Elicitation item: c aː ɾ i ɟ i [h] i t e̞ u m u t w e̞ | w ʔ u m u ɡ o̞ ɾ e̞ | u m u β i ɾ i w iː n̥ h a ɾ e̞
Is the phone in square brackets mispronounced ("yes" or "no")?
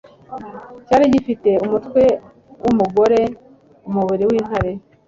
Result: yes